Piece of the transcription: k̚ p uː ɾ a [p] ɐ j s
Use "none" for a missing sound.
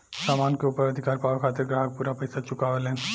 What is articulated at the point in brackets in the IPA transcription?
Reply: p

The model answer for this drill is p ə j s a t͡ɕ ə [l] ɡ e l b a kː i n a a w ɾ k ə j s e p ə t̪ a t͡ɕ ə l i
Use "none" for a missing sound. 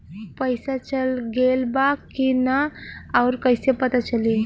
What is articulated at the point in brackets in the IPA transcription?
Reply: l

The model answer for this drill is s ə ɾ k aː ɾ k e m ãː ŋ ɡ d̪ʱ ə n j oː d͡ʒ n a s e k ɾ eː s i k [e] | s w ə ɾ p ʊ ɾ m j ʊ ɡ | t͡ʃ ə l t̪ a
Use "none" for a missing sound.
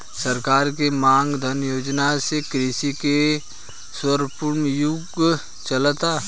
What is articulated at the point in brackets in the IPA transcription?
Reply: e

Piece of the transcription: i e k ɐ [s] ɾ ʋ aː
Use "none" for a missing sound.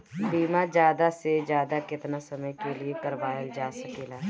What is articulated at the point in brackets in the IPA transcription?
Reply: none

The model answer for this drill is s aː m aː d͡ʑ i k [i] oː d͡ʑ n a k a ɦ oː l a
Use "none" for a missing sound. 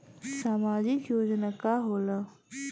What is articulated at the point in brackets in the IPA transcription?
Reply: j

